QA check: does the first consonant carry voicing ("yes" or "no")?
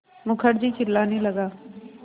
yes